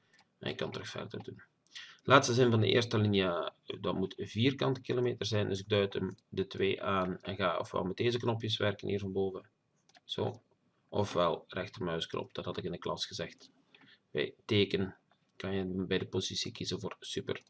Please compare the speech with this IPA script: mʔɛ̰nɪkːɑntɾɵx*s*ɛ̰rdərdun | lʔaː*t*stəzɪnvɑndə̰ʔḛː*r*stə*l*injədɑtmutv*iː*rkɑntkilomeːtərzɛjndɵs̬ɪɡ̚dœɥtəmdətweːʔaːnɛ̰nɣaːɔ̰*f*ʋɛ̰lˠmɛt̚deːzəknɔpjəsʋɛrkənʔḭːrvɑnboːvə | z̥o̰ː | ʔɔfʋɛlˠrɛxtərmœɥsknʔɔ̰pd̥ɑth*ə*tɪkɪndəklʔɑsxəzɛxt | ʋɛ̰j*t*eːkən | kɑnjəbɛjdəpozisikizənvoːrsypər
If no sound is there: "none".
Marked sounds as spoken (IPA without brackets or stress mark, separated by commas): f, t, r, l, iː, f, ɑ, t